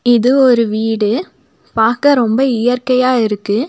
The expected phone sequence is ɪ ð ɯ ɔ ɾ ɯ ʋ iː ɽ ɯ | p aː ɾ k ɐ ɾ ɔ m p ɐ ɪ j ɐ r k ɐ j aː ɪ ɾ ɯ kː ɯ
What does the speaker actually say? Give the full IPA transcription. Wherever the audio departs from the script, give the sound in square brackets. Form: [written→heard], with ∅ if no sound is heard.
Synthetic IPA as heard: ɪ ð ɯ ɔ ɾ ɯ ʋ iː ɽ ɯ | p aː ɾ k ɐ ɾ ɔ m [p→b] ɐ ɪ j ɐ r k ɐ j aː ɪ ɾ ɯ kː ɯ